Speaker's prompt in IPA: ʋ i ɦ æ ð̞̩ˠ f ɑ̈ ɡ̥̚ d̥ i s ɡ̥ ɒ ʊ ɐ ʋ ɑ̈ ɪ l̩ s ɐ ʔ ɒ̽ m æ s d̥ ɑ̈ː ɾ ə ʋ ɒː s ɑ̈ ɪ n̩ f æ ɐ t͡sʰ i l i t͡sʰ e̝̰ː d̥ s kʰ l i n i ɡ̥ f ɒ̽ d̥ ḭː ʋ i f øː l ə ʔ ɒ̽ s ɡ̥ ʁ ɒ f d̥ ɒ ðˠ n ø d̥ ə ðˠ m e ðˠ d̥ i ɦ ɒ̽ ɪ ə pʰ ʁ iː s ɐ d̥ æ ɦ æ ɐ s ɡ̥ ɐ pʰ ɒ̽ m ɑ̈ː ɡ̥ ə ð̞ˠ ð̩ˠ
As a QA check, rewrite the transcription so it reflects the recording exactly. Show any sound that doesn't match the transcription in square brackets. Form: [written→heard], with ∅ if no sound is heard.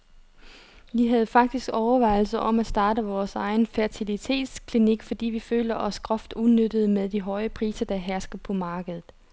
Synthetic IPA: ʋ i ɦ æ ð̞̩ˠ f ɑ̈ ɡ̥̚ d̥ i s ɡ̥ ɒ ʊ ɐ ʋ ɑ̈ ɪ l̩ s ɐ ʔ ɒ̽ m æ s d̥ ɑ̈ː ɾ ə ʋ ɒː s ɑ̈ ɪ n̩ f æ ɐ t͡sʰ i l i t͡sʰ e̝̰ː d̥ s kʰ l i n i ɡ̥ f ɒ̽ d̥ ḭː ʋ i f øː l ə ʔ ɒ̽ s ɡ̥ ʁ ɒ f d̥ [ɒ→u] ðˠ n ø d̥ ə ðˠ m e ðˠ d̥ i ɦ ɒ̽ ɪ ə pʰ ʁ iː s ɐ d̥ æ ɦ æ ɐ s ɡ̥ ɐ pʰ ɒ̽ m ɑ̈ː ɡ̥ ə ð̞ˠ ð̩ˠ